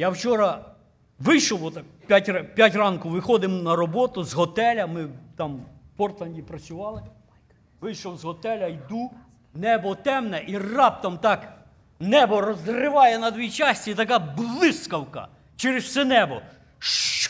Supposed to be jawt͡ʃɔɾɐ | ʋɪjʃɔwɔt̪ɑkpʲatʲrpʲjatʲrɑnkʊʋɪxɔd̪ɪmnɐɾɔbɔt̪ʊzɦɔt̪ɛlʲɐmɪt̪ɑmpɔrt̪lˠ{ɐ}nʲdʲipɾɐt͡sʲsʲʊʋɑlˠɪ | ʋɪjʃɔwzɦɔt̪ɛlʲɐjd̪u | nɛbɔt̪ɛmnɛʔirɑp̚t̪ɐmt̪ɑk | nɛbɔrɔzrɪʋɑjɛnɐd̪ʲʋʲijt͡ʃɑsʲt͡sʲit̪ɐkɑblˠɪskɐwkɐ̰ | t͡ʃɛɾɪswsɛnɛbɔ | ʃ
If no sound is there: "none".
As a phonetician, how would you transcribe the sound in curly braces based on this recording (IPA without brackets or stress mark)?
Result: ɐ